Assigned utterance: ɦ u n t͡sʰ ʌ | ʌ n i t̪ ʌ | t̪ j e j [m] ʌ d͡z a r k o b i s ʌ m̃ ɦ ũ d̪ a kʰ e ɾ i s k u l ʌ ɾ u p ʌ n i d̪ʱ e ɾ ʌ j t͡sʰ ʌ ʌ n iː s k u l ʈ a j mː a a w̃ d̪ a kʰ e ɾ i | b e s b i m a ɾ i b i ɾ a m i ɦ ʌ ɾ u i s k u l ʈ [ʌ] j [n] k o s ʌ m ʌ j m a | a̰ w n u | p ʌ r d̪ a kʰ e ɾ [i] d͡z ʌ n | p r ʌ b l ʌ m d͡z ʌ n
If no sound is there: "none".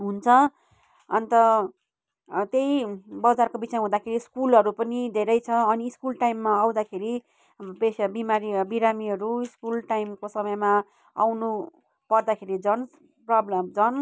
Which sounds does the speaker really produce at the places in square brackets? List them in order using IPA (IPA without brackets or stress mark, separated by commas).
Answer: b, a, m, i